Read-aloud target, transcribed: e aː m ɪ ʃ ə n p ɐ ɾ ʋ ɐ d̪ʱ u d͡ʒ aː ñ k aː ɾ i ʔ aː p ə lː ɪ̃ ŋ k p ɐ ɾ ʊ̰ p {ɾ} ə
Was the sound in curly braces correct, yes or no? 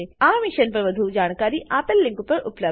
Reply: no